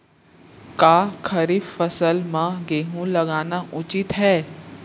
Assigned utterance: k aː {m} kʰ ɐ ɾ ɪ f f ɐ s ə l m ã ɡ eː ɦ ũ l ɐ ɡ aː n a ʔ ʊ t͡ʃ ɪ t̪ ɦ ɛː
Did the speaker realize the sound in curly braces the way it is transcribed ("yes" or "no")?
no